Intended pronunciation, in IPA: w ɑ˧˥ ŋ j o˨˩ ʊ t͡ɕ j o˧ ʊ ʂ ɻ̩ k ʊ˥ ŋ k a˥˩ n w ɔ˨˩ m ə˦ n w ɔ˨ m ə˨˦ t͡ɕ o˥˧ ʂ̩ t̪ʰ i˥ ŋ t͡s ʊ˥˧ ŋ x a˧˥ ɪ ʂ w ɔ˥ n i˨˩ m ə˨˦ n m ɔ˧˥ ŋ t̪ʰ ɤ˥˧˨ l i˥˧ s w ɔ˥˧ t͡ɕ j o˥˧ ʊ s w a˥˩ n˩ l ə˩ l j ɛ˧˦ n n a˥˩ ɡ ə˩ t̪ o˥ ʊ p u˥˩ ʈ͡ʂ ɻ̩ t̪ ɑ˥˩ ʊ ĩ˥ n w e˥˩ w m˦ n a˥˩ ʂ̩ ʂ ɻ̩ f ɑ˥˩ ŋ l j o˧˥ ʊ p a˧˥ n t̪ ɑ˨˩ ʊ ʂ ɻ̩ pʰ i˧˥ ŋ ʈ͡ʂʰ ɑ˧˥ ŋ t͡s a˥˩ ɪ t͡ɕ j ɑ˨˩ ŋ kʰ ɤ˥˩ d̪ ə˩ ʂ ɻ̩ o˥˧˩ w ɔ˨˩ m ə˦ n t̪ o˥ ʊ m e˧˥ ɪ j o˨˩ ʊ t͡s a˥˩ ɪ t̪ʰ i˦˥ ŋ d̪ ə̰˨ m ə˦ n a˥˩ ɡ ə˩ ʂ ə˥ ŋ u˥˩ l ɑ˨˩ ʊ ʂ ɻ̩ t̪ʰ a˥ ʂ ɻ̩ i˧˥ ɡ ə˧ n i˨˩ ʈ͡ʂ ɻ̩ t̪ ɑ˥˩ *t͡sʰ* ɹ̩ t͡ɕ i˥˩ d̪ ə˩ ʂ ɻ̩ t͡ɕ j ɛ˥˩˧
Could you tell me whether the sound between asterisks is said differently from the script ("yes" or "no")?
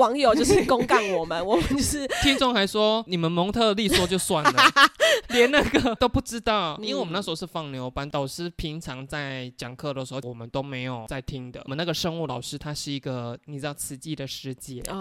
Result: no